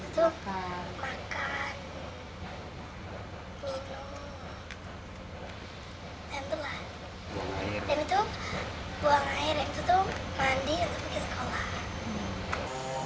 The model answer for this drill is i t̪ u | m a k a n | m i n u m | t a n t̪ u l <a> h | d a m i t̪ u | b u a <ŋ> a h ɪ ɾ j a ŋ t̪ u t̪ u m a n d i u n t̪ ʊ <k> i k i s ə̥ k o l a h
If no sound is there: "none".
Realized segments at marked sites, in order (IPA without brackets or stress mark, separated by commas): a, ŋ, p